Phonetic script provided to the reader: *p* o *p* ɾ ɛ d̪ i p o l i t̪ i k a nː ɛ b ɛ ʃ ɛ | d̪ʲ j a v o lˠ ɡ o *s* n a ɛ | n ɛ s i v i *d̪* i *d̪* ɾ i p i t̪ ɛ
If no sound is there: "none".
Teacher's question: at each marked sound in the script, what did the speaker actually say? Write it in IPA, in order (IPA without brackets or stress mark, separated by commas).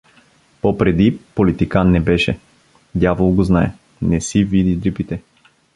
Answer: p, p, z, d̪, d̪